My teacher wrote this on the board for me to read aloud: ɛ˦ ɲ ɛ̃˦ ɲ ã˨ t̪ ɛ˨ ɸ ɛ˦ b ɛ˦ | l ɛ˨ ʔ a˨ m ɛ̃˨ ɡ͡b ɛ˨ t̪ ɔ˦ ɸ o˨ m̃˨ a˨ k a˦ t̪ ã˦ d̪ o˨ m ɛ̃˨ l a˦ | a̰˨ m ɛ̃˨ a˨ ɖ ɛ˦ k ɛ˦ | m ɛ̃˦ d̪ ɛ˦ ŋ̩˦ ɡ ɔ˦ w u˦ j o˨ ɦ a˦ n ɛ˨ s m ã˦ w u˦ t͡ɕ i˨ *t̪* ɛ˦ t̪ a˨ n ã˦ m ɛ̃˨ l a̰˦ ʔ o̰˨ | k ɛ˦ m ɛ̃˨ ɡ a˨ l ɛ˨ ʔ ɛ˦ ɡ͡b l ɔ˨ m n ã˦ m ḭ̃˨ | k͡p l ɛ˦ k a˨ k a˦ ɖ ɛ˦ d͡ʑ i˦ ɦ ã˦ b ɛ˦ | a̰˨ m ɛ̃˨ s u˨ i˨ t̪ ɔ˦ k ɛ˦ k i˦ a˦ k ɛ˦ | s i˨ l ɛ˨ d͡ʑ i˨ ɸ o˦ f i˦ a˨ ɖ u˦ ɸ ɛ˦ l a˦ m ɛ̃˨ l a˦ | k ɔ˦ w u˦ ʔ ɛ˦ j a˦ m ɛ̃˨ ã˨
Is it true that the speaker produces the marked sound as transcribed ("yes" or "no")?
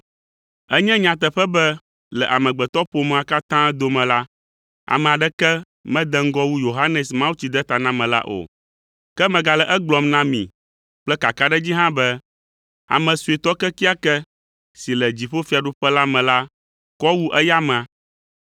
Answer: no